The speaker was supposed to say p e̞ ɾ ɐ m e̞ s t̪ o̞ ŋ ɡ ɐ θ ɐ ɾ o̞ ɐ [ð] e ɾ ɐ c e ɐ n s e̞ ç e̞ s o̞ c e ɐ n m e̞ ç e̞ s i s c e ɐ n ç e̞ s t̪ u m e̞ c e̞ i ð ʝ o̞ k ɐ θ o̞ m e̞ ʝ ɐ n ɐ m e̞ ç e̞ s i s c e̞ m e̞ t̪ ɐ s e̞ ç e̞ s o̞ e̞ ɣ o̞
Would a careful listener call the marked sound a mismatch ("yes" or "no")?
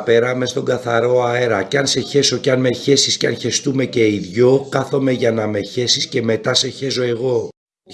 yes